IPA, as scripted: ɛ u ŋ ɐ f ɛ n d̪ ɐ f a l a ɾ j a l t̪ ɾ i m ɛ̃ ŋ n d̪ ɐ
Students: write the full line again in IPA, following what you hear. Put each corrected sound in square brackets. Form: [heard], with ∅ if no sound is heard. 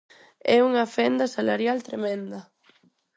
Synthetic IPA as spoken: ɛ u ŋ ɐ f ɛ n d̪ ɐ [s] a l a ɾ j a l t̪ ɾ [e] m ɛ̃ [∅] n d̪ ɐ